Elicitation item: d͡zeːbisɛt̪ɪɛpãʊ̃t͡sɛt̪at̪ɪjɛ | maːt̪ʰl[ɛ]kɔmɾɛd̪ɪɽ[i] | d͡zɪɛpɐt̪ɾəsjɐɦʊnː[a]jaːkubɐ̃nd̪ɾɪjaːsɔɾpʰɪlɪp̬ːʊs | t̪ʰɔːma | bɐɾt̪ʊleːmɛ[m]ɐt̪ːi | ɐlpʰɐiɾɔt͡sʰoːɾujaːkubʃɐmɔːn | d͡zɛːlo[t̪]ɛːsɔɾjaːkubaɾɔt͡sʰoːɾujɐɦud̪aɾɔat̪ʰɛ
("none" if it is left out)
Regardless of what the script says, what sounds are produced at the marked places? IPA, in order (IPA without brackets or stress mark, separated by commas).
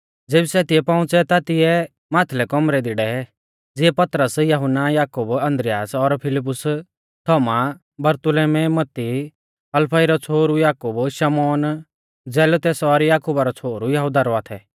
ɛ, ɛ, a, m, t̪